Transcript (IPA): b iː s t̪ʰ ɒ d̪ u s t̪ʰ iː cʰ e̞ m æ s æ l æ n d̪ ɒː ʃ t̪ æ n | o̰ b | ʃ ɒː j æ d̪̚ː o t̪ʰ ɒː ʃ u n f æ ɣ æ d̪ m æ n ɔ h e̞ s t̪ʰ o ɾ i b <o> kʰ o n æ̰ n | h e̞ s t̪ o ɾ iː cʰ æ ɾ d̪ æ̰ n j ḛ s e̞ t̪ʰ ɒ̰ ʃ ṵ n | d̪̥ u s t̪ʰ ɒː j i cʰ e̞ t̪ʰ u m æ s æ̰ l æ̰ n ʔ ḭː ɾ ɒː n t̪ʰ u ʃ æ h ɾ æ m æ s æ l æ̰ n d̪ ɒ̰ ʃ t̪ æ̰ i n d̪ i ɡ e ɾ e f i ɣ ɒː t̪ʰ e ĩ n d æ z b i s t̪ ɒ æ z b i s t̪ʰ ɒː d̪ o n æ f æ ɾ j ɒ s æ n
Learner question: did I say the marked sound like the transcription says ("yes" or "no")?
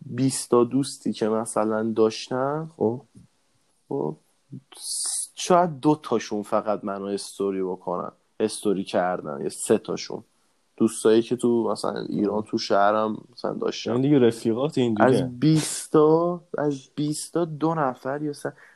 yes